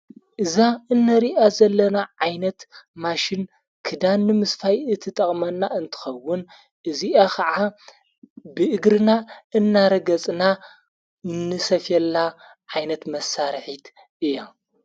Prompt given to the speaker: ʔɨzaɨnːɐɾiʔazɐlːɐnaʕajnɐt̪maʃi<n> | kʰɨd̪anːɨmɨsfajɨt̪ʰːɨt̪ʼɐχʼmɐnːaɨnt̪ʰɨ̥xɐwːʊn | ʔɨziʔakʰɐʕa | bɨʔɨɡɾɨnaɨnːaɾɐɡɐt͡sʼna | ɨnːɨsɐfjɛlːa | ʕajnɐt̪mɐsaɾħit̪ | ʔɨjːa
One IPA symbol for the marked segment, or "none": n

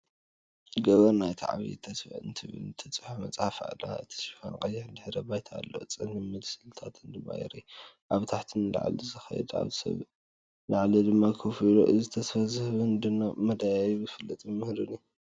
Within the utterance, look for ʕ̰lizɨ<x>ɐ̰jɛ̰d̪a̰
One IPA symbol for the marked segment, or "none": x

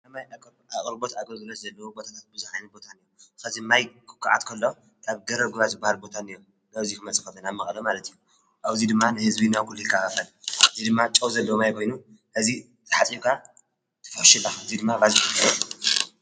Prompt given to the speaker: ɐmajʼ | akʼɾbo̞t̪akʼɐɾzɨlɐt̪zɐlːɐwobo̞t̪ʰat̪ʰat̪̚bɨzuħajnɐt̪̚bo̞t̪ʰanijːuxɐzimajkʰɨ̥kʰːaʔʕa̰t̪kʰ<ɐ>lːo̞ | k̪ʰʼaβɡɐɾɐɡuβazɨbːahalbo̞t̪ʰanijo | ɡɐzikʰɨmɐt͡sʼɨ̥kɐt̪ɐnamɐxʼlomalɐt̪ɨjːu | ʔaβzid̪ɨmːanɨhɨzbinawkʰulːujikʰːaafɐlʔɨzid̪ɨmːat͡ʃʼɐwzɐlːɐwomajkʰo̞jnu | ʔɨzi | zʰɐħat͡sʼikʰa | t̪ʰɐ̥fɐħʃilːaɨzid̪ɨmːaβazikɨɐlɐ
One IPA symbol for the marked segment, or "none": ɐ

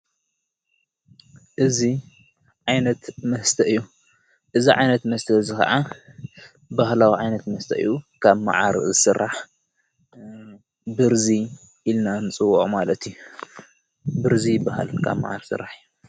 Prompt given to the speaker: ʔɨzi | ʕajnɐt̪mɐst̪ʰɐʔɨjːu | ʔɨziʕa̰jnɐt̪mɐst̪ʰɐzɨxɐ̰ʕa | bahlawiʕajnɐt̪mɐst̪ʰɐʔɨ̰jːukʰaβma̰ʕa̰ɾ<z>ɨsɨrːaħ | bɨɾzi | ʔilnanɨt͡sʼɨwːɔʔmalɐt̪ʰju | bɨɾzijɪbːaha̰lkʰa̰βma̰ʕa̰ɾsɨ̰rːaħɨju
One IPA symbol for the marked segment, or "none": z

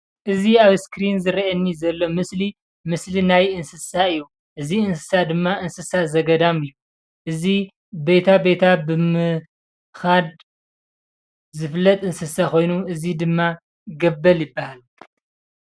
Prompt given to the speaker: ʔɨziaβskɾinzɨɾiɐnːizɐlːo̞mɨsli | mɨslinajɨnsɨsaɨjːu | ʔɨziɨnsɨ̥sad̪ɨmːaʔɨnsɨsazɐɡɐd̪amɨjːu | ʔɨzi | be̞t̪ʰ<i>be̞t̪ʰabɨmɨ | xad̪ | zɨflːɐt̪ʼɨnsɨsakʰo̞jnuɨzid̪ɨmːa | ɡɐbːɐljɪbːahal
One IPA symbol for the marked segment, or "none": a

